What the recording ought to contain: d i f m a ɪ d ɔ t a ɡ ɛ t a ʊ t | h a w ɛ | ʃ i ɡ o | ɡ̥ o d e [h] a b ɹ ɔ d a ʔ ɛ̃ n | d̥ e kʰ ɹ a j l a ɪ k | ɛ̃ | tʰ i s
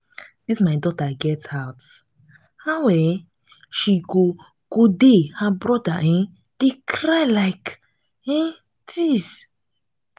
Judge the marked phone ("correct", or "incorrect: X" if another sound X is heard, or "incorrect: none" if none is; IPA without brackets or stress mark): correct